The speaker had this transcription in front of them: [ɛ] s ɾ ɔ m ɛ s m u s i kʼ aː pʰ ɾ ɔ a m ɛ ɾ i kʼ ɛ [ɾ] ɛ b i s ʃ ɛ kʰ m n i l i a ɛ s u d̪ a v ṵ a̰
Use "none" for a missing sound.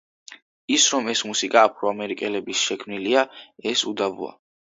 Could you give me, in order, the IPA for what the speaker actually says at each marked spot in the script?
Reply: i, l

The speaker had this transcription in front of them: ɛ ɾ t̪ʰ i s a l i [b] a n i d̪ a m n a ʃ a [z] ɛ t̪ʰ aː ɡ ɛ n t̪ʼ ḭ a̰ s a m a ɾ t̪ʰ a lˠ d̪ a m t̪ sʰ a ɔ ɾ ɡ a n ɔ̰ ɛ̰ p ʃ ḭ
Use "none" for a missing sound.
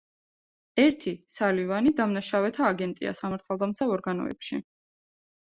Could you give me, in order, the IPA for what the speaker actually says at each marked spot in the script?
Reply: v, v

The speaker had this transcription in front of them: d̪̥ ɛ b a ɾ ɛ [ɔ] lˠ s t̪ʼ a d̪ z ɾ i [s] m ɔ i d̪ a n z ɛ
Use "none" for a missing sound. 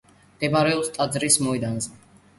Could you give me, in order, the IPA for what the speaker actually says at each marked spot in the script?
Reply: ɔ, s

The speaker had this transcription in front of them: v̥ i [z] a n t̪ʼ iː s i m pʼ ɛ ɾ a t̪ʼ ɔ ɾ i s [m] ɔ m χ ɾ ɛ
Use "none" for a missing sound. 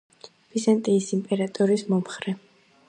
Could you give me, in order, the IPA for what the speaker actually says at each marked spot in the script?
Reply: z, m

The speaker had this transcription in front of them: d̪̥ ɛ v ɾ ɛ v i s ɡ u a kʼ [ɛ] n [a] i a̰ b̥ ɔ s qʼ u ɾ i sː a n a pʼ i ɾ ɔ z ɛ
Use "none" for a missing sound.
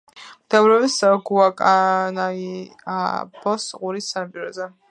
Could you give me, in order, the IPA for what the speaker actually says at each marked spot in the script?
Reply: a, a

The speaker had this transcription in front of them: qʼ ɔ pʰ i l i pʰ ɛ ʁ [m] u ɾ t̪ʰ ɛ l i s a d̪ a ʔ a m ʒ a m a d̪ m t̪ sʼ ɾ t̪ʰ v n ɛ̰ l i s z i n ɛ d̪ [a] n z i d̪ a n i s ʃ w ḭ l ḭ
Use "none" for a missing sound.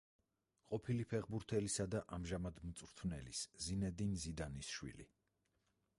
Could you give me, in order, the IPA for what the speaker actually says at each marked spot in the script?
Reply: b, i

